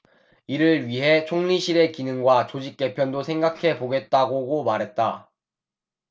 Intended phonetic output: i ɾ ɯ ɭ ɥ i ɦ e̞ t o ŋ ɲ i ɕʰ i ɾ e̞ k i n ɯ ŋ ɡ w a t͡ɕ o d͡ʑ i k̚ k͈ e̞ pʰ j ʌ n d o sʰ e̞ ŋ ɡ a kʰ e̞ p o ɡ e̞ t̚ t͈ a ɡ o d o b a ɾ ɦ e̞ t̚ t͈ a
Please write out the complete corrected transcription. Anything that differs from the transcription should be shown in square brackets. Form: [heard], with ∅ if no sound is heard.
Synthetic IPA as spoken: i ɾ ɯ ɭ ɥ i ɦ e̞ [t͡ɕʰ] o ŋ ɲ i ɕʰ i ɾ e̞ k i n ɯ ŋ ɡ w a t͡ɕ o d͡ʑ i k̚ k͈ e̞ pʰ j ʌ n d o sʰ e̞ ŋ ɡ a kʰ e̞ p o ɡ e̞ t̚ t͈ a ɡ o [ɡ] o [m] a ɾ ɦ e̞ t̚ t͈ a